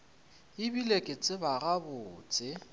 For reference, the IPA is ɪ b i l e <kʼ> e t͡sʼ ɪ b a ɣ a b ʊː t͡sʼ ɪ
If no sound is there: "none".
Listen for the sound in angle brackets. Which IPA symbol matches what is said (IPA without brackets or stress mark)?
kʼ